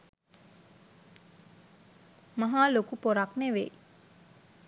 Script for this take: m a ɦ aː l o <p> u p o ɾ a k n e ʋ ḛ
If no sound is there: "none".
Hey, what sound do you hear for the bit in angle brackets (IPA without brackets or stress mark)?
k